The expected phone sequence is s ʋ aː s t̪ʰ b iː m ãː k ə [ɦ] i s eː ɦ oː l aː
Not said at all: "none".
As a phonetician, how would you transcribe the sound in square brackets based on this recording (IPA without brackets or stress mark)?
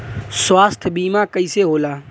none